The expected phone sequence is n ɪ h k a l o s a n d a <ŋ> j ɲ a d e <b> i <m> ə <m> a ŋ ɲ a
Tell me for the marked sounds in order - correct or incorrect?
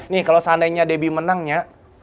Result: incorrect: none, correct, correct, incorrect: n

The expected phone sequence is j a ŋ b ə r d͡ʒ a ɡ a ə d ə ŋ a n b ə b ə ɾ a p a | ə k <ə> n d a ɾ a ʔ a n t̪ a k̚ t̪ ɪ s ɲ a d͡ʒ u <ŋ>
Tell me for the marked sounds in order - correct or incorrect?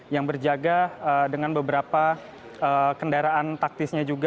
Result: correct, incorrect: ɡ

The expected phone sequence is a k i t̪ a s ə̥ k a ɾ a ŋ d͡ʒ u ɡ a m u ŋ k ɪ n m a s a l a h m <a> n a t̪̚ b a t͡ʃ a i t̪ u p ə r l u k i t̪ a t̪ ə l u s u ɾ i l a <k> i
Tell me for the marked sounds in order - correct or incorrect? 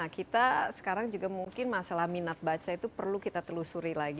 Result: incorrect: i, incorrect: ɡ

